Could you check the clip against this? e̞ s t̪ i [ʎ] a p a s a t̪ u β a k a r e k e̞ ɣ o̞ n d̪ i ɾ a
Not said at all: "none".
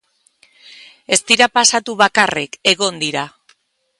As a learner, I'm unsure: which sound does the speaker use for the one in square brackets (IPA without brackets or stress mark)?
ɾ